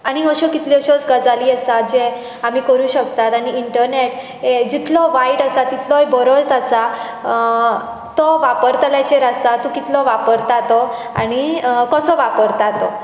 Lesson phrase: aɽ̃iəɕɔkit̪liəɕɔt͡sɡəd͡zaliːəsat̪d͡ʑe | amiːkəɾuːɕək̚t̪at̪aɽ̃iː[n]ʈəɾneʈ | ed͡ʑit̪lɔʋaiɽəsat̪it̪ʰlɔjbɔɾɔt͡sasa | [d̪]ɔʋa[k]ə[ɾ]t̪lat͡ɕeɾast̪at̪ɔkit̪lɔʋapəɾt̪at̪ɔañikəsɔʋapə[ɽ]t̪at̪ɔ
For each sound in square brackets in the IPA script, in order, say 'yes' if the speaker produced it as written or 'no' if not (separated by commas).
no, no, no, yes, no